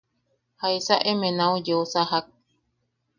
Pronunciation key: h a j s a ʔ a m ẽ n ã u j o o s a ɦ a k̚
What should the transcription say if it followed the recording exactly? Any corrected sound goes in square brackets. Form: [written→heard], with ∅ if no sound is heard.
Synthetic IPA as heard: h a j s a ʔ [a→e] m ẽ n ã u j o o s a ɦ a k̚